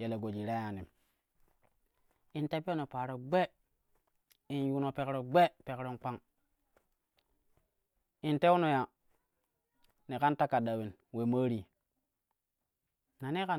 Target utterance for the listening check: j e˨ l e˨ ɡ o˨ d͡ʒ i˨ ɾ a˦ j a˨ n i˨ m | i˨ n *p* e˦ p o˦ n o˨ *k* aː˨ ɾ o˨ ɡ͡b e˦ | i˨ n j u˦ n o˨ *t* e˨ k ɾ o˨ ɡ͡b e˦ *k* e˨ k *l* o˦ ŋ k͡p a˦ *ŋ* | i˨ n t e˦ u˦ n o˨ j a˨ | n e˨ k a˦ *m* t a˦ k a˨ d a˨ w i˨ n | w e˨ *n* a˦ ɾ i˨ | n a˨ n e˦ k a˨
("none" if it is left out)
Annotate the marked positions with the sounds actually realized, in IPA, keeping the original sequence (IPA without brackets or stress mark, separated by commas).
t, p, p, p, ɾ, ŋ, n, m